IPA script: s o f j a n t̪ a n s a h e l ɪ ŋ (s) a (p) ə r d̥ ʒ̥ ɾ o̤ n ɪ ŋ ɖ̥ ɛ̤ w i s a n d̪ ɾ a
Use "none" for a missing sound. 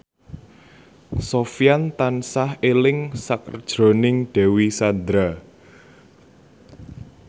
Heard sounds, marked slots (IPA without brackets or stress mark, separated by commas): s, k